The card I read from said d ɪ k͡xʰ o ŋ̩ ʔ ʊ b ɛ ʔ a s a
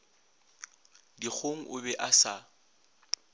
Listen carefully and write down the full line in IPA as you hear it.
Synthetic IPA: d i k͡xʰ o ŋ̩ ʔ ʊ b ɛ ʔ a s a